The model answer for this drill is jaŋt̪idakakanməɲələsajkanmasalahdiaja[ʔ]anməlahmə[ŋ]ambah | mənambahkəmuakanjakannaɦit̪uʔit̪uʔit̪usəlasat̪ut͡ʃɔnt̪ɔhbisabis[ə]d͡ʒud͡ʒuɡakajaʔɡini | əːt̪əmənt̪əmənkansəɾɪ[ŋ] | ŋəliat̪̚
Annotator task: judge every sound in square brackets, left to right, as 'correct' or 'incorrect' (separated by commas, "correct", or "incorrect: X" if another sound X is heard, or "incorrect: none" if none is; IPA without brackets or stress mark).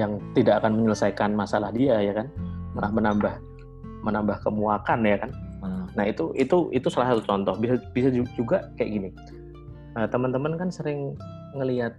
incorrect: k, incorrect: n, incorrect: a, correct